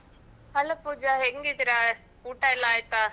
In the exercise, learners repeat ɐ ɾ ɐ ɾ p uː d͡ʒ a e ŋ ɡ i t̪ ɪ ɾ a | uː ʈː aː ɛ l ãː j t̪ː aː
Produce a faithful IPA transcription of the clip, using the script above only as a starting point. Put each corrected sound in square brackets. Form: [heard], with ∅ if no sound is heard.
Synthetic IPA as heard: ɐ [l] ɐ [∅] p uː d͡ʒ a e ŋ ɡ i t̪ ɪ ɾ a | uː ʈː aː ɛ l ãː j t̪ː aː